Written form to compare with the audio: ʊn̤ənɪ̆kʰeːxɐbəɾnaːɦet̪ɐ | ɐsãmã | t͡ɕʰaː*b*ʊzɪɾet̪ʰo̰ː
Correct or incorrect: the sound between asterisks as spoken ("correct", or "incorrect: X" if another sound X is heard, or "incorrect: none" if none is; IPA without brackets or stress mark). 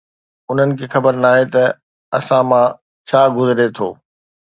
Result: incorrect: ɡ